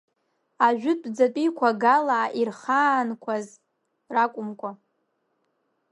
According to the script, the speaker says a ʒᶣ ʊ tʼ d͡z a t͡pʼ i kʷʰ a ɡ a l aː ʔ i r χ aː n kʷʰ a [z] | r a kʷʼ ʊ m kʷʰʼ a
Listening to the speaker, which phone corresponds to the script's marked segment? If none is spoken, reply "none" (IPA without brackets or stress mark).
z